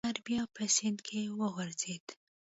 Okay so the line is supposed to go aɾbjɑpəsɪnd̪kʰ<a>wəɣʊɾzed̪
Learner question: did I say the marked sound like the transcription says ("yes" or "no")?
no